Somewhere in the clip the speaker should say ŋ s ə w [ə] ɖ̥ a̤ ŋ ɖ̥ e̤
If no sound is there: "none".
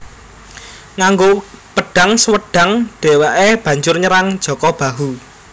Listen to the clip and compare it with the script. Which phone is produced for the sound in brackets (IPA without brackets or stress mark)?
ə